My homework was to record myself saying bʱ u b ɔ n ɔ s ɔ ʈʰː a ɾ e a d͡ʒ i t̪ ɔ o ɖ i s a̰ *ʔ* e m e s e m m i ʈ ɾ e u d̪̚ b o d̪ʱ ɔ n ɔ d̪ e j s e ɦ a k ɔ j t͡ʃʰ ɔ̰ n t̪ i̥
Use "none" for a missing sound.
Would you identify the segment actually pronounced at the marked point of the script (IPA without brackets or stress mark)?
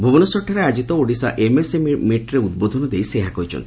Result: ʔ